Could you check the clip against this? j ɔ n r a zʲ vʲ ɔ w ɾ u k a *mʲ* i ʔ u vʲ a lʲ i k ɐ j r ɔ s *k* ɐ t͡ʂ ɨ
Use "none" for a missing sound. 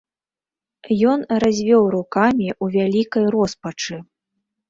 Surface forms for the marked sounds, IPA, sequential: mʲ, p

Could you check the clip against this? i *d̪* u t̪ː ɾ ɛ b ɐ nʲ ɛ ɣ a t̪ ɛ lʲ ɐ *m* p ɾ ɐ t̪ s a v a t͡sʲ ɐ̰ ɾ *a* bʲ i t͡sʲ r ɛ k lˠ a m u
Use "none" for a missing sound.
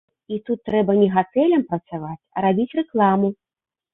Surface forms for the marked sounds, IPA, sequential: t̪, m, a

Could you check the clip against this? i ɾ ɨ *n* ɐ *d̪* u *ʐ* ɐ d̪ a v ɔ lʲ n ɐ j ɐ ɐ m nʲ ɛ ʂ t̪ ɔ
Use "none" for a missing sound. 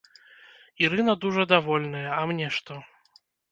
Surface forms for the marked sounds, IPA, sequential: n, d̪, ʐ

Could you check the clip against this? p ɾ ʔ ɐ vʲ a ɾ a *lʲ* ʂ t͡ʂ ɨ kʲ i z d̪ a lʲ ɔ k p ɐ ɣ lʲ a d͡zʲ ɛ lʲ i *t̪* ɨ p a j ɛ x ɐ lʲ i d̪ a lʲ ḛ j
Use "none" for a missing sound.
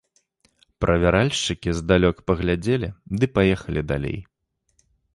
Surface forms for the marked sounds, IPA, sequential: lʲ, d̪

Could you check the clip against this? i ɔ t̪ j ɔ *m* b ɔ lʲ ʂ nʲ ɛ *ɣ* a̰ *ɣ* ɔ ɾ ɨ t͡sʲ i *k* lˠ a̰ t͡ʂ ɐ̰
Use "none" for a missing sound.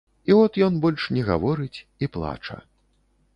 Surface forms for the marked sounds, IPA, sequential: n, ɣ, v, p

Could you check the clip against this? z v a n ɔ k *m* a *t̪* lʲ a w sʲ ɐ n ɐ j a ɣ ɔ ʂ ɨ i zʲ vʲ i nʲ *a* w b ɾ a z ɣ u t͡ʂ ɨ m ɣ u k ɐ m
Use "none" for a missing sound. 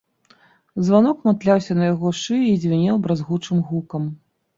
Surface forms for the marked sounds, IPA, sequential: m, t̪, ɛ

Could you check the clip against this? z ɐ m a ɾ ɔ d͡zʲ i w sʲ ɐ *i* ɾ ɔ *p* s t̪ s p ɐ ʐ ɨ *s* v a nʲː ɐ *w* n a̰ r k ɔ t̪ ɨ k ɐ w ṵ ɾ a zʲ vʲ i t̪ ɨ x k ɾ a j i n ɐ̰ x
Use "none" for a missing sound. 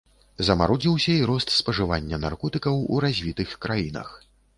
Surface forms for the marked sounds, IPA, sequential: i, none, none, none

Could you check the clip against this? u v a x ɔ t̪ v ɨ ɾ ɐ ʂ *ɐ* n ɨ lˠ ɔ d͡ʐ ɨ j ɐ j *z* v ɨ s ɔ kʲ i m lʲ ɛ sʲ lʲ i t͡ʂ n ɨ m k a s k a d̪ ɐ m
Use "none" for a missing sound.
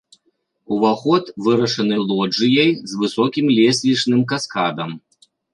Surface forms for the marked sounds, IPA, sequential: ɐ, z

